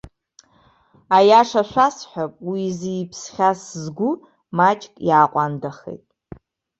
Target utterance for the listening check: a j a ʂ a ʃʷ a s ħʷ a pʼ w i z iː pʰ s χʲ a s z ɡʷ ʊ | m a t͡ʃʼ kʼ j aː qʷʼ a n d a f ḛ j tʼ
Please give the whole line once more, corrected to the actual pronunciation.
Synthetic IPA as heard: a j a ʂ a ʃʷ a s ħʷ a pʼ w i z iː pʰ s χʲ a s z ɡʷ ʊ | m a t͡ʃʼ kʼ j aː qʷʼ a n d a χ ḛ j tʼ